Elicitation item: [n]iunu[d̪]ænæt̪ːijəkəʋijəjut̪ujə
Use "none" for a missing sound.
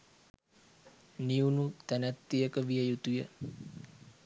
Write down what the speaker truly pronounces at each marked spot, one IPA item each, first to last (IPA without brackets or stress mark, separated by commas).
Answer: n, t̪